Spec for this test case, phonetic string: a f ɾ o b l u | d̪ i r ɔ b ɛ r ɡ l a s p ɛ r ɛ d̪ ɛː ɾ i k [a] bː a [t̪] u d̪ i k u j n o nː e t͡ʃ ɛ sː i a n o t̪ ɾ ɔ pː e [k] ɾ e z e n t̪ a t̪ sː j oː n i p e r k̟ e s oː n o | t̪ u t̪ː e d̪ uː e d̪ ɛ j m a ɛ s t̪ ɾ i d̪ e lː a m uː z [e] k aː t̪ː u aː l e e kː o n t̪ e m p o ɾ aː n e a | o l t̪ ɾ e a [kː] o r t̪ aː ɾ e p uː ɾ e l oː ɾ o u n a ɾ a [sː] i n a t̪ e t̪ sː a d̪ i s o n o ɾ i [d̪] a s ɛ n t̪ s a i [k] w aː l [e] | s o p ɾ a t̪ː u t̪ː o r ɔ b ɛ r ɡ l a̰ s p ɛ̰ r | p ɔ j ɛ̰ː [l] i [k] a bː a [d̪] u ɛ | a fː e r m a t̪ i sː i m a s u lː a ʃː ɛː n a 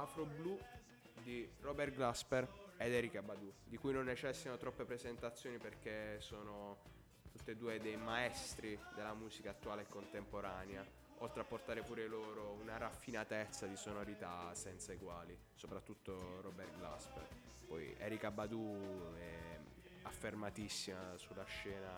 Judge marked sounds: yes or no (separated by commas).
yes, no, no, no, no, no, no, no, no, no, yes, yes